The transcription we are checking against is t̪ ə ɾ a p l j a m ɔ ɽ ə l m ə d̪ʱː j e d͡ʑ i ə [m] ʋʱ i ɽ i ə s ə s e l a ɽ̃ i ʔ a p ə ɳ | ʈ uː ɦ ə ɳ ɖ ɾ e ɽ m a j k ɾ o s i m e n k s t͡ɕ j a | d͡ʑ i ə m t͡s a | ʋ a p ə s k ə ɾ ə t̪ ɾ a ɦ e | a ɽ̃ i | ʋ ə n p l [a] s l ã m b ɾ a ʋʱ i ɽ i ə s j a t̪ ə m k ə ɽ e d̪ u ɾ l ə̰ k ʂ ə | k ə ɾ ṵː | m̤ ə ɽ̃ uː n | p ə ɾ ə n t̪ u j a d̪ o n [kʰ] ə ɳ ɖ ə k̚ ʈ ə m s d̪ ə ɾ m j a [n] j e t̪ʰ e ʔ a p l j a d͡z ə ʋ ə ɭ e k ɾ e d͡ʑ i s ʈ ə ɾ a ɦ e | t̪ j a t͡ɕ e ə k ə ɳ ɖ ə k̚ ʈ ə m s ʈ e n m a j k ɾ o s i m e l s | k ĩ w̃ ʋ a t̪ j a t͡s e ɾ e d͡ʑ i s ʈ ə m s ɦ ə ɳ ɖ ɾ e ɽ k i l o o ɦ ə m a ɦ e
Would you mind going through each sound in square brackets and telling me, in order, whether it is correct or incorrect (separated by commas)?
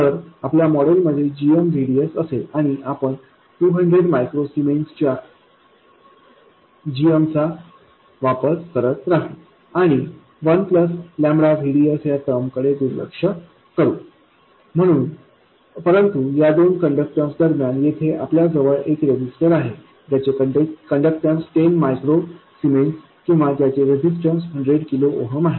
correct, incorrect, incorrect, correct